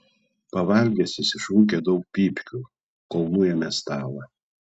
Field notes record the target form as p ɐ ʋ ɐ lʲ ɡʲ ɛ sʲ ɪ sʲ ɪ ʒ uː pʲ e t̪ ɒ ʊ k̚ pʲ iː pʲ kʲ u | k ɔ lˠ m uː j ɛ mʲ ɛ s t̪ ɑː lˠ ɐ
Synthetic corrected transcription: p ɐ ʋ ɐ lʲ ɡʲ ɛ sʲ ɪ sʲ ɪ ʃ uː kʲ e d̪ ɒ ʊ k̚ pʲ iː pʲ kʲ u | k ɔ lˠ n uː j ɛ mʲ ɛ s t̪ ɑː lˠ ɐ